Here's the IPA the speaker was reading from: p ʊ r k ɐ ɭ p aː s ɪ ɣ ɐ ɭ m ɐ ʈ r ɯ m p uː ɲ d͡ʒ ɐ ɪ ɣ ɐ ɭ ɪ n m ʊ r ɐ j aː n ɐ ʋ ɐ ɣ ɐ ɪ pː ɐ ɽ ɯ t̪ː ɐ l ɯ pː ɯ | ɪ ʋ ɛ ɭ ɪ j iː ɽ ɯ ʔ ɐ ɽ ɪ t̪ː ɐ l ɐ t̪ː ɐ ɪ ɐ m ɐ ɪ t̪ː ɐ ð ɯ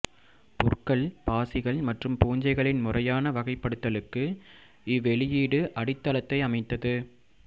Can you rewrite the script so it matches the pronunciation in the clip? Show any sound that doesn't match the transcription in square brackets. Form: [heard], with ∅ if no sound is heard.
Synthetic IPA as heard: p ʊ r k ɐ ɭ p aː s ɪ ɣ ɐ ɭ m ɐ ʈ r ɯ m p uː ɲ d͡ʒ ɐ ɪ ɣ ɐ ɭ ɪ n m ʊ r ɐ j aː n ɐ ʋ ɐ ɣ ɐ ɪ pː ɐ ɽ ɯ t̪ː ɐ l ɯ [kː] ɯ | ɪ ʋ ɛ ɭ ɪ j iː ɽ ɯ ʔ ɐ ɽ ɪ t̪ː ɐ l ɐ t̪ː ɐ ɪ ɐ m ɐ ɪ t̪ː ɐ ð ɯ